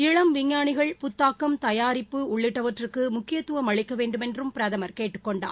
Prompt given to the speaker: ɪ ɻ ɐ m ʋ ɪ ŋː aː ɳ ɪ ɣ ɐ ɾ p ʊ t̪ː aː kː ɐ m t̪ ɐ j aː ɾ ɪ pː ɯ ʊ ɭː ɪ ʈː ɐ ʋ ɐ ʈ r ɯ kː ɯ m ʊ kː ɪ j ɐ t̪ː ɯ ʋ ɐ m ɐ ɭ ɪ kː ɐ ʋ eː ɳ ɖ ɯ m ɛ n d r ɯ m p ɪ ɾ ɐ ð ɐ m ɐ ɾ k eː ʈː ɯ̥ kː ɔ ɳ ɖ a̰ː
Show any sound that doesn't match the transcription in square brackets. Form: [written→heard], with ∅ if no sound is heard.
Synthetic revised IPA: ɪ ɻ ɐ m ʋ ɪ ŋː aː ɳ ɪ ɣ ɐ [ɾ→ɭ] p ʊ t̪ː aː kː ɐ m t̪ ɐ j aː ɾ ɪ pː ɯ ʊ ɭː ɪ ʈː ɐ ʋ ɐ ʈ r ɯ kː ɯ m ʊ kː ɪ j ɐ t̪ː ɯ ʋ ɐ m ɐ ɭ ɪ kː ɐ ʋ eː ɳ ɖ ɯ m ɛ n d r ɯ m p ɪ ɾ ɐ ð ɐ m ɐ ɾ k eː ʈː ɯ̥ kː ɔ ɳ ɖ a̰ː